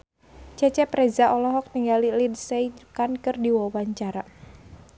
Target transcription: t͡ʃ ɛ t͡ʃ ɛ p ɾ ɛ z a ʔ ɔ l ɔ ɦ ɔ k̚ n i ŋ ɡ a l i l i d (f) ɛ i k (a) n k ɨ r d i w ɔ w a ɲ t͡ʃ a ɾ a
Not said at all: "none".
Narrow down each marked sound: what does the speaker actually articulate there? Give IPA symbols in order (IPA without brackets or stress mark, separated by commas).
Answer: s, a